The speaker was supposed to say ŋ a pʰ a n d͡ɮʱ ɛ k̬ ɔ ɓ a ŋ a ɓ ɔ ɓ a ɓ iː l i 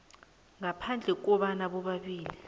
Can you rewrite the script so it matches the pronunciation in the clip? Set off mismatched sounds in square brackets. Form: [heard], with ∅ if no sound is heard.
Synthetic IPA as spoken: ŋ a pʰ a n d͡ɮʱ ɛ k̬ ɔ ɓ a [n] a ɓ ɔ ɓ a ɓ iː l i